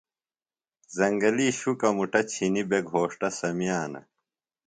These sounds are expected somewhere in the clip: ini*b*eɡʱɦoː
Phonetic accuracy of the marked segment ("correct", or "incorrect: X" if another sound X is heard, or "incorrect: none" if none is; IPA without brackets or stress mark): correct